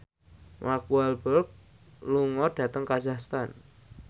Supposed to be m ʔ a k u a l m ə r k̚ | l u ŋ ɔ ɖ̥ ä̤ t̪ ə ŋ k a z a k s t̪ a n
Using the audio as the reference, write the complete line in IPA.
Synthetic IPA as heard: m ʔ a k u a l b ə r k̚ | l u ŋ ɔ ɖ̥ ä̤ t̪ ə ŋ k a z a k s t̪ a n